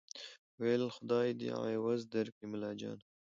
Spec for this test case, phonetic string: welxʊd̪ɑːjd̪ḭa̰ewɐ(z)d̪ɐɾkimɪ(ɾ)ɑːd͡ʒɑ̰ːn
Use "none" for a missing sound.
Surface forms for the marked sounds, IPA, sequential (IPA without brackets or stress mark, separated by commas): z, l